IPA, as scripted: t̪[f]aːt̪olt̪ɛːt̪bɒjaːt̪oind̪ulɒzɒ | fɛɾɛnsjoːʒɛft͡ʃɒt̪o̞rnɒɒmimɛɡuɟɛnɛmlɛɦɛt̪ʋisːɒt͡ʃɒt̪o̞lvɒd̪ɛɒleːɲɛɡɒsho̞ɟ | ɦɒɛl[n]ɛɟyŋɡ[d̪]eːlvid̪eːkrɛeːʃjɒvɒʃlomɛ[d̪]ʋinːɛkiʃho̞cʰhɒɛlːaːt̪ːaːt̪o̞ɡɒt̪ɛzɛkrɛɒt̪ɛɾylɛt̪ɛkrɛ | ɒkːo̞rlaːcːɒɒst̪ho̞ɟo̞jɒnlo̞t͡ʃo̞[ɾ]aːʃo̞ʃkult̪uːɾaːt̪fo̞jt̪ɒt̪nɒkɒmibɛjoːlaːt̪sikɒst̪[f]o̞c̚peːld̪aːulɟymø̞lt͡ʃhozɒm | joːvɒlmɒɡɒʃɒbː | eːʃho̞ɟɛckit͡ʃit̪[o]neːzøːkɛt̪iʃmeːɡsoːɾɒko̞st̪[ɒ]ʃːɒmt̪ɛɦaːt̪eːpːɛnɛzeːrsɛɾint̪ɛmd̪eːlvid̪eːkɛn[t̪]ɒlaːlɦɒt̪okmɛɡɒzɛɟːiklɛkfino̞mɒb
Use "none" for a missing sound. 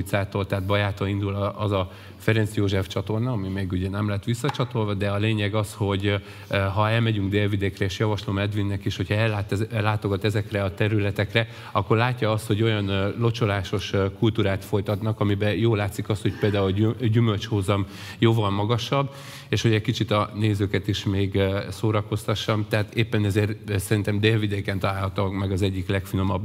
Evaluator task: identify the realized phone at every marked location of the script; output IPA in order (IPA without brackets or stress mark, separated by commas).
s, m, d̪, d̪, l, h, ɒ, ɒ, t̪